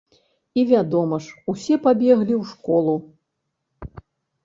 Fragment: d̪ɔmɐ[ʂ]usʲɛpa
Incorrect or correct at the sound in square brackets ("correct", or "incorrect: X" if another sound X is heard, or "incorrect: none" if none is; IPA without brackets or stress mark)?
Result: correct